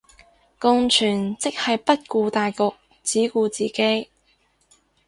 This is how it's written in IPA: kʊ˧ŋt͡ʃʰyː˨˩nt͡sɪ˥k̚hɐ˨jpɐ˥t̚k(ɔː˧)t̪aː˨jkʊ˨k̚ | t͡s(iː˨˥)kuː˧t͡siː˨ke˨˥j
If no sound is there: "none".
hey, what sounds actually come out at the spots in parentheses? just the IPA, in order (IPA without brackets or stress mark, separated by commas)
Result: uː˧, iː˨˥